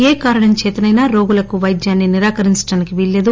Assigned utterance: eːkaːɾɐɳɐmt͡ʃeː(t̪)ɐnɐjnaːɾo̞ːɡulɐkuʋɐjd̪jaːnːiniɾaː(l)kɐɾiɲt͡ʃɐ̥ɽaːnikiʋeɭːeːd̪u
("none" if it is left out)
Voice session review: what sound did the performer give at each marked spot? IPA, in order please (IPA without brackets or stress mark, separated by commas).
t̪, none